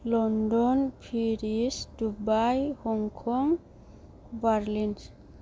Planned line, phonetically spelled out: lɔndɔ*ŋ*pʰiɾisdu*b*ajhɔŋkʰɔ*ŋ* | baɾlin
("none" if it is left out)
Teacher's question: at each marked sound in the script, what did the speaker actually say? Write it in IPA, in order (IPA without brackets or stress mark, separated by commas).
n, b, ŋ